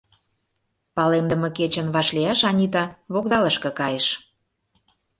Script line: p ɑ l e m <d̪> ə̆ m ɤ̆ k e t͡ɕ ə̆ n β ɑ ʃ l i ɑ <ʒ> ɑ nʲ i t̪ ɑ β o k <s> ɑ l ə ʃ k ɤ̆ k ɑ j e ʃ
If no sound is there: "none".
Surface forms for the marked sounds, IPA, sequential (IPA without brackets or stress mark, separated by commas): d̪, ʃ, z